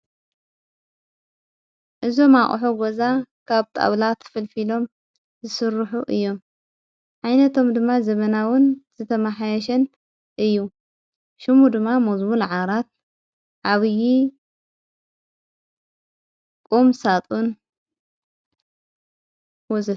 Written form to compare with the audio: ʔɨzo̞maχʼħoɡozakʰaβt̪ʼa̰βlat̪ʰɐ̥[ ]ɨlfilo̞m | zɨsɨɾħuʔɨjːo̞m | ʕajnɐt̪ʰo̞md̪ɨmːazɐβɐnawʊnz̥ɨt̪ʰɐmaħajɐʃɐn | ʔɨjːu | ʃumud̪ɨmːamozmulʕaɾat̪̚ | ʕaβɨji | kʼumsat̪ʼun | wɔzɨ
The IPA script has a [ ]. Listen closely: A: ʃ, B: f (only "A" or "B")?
B